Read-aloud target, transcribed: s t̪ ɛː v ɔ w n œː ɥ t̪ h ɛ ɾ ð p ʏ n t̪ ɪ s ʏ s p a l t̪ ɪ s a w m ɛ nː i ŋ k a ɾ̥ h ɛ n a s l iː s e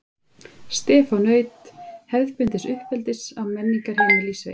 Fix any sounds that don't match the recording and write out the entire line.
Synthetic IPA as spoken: s t̪ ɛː f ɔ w n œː ɥ t̪ h ɛ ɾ ð p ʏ n t̪ ɪ s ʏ h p ɛ l t̪ ɪ s a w m ɛ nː i ŋ k a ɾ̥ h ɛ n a l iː s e

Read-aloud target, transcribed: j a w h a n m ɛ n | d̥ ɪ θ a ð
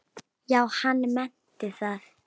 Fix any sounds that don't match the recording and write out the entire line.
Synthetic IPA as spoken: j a w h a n m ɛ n | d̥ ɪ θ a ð

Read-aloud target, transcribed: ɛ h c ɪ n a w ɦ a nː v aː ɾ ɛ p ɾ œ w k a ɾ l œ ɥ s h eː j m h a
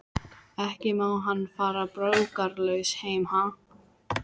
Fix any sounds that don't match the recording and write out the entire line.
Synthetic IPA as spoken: ɛ h c ɪ m a w ɦ a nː f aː ɾ a p ɾ œ w k a ɾ l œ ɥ s h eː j m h a

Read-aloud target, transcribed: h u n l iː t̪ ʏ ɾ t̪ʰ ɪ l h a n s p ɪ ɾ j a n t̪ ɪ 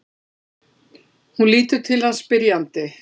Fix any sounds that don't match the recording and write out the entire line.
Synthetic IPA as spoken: h u n l iː t̪ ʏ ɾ t̪ʰ ɪ l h a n s p ɪ ɾ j a n t̪ ɪ

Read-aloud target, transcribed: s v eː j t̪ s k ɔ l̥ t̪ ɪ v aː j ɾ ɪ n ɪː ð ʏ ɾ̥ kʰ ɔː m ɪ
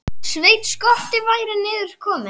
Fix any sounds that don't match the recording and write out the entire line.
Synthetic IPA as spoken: s v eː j t̪ s k ɔ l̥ t̪ ɪ v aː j ɾ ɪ n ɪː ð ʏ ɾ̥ kʰ ɔː m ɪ

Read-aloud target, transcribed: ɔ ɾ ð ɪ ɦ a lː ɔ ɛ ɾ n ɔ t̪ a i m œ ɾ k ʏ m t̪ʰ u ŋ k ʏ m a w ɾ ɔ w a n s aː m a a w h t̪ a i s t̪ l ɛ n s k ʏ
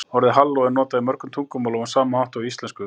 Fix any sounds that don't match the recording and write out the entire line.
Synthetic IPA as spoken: ɔ ɾ ð ɪ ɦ a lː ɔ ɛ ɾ n ɔː t̪ a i m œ ɾ k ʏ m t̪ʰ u ŋ k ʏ m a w l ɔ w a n s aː m a a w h t̪ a i s t̪ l ɛ n s k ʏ

